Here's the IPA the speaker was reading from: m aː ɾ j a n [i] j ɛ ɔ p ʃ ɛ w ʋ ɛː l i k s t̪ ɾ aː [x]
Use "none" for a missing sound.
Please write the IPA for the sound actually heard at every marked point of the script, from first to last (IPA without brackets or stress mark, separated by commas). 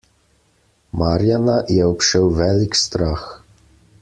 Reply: a, x